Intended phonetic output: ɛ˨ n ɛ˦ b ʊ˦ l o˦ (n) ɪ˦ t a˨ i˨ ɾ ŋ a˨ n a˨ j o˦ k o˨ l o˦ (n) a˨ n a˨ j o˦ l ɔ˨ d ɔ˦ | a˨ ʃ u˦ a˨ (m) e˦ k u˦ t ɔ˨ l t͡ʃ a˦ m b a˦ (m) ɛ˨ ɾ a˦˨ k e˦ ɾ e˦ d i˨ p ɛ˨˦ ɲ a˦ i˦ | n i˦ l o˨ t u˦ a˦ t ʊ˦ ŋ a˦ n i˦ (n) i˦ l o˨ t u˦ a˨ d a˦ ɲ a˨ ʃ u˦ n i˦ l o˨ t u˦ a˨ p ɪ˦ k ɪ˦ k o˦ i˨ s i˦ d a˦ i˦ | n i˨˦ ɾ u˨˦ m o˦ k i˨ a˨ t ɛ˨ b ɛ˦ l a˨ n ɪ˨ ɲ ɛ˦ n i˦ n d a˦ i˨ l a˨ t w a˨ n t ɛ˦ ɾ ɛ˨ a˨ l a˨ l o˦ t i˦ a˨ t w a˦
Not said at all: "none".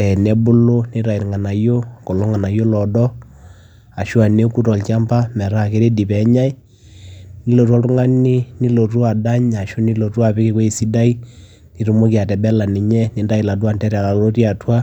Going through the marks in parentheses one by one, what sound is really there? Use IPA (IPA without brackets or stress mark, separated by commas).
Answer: n, ŋ, n, m, n